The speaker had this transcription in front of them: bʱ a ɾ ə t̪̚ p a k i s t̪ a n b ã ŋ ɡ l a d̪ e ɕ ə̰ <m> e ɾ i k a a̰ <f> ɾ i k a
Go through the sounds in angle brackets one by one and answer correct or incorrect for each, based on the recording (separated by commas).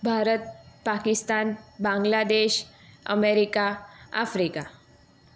correct, correct